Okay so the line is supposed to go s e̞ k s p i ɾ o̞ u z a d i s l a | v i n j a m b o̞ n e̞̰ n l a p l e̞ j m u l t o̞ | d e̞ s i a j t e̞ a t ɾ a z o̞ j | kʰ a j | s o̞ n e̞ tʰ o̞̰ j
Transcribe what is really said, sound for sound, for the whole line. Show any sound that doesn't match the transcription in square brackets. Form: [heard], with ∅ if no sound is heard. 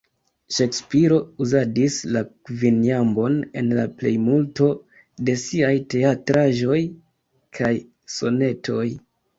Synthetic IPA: [ʃ] e̞ k s p i ɾ o̞ u z a d i s l a | v i n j a m b o̞ n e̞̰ n l a p l e̞ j m u l t o̞ | d e̞ s i a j t e̞ a t ɾ a [ʒ] o̞ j | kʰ a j | s o̞ n e̞ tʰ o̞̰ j